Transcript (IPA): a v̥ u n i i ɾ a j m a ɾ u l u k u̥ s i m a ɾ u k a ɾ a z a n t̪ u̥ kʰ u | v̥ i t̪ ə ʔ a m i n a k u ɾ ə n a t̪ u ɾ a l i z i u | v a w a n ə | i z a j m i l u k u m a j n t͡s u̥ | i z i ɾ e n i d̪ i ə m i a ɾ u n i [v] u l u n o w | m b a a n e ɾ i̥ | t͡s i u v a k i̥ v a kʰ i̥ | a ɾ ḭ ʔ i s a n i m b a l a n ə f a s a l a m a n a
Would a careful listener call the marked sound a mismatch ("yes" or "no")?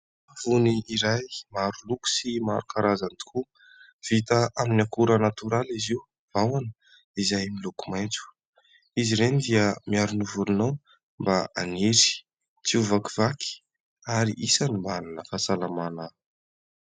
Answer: no